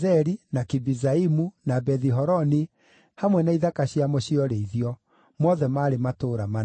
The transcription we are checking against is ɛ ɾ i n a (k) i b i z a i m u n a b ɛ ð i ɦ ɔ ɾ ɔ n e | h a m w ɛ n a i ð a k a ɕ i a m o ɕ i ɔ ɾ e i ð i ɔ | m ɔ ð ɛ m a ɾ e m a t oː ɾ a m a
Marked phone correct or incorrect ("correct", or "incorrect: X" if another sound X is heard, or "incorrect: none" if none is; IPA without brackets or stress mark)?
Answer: correct